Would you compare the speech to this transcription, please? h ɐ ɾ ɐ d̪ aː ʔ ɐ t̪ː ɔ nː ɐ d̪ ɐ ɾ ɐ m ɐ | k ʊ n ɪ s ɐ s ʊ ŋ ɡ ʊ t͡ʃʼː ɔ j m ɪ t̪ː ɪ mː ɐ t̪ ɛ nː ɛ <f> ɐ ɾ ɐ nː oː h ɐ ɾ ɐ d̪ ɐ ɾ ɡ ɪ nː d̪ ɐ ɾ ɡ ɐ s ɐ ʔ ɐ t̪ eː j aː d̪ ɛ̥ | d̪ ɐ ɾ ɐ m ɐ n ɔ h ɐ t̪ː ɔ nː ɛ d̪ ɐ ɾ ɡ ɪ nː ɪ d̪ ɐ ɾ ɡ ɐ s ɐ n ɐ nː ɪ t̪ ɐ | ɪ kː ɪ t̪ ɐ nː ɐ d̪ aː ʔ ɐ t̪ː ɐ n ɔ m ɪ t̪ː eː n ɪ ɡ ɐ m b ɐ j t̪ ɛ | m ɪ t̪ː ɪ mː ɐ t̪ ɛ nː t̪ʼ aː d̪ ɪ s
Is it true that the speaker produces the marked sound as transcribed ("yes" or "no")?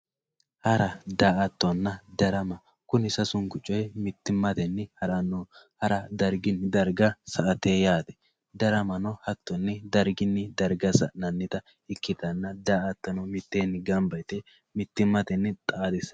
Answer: no